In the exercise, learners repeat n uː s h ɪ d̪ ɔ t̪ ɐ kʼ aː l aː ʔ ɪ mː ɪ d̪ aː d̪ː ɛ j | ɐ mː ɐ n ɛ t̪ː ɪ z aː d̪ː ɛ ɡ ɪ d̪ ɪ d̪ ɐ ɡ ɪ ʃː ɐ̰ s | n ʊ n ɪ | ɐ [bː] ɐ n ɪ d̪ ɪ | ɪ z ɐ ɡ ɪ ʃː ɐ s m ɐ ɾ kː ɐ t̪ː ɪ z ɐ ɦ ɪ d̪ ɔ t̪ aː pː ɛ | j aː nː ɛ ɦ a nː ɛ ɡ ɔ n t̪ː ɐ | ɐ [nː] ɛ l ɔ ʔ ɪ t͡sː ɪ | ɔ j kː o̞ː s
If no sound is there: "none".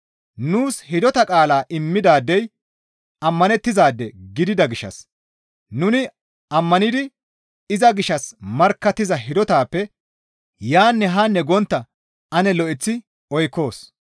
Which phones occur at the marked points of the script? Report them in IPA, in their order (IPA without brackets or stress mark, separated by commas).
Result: mː, n